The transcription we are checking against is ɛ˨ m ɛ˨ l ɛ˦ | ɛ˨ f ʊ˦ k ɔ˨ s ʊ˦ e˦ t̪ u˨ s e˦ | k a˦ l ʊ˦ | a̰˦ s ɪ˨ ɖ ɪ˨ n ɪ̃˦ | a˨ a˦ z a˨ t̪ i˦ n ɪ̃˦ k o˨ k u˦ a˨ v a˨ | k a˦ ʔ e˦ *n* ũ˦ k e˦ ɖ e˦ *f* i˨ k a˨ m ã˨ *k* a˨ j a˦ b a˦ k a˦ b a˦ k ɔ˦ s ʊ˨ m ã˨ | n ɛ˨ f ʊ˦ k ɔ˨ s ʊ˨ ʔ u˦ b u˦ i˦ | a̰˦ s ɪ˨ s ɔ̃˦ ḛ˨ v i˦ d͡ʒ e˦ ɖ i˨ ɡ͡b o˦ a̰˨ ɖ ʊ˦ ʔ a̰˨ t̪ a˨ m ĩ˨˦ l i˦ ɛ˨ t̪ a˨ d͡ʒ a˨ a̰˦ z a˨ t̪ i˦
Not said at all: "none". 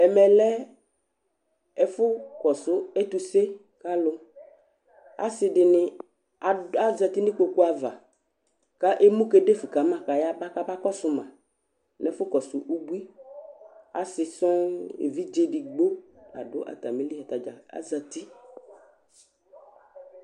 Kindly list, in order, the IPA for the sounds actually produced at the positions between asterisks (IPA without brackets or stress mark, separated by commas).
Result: m, f, k